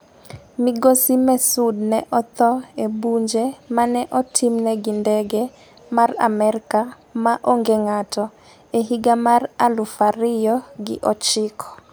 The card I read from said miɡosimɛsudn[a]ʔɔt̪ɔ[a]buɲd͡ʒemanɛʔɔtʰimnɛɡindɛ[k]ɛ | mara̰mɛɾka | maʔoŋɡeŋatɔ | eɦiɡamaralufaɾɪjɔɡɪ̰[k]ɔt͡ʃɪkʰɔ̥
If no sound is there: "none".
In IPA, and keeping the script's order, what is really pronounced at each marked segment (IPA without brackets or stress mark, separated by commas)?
ɛ, e, ɡ, ʔ